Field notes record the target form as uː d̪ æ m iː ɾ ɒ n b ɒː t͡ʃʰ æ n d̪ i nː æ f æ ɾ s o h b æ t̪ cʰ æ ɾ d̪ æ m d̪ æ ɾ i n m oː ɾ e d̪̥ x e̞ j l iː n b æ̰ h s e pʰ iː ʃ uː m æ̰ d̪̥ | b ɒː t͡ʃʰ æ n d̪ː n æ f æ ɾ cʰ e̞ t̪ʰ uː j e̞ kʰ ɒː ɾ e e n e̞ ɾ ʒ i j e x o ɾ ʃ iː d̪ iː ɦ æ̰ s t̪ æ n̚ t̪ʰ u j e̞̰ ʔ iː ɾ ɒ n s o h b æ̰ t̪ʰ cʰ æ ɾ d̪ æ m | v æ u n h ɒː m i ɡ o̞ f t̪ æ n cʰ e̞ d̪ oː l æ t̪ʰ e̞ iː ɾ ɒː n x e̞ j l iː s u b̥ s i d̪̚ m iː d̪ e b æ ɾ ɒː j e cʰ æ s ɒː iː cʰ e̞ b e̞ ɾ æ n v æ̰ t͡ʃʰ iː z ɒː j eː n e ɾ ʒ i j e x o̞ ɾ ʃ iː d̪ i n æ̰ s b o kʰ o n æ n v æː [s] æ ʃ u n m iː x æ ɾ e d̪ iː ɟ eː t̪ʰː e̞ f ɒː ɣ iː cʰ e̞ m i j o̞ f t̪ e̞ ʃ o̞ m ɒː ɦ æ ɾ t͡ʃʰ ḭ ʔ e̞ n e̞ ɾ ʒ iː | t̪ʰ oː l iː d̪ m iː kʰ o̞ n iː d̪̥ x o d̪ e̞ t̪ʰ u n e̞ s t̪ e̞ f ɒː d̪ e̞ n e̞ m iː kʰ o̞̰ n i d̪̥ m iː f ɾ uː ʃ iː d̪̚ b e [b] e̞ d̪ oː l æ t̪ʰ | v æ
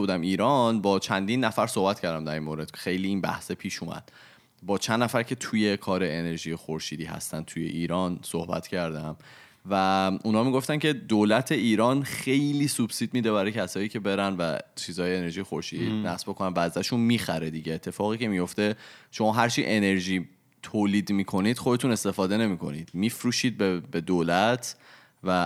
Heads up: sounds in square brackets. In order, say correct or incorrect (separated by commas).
incorrect, correct